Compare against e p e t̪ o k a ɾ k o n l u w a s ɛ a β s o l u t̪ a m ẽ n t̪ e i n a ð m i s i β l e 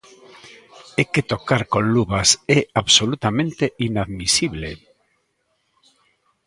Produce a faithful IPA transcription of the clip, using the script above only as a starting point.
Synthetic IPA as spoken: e k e t̪ o k a ɾ k o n l u β a s ɛ a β s o l u t̪ a m ẽ n t̪ e i n a ð m i s i β l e